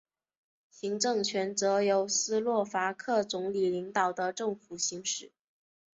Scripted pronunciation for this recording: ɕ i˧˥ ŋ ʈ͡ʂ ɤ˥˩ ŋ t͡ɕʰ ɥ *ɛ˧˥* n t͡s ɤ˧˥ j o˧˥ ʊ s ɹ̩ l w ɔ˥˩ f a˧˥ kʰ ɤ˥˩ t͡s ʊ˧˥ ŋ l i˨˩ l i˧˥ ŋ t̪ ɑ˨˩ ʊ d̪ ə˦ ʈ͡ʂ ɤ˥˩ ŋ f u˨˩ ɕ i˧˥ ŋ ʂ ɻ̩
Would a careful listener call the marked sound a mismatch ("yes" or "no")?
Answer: no